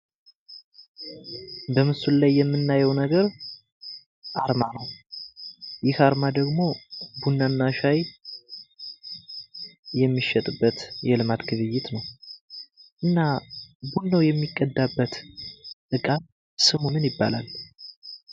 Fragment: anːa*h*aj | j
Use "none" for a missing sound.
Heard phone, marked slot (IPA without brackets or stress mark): ʃ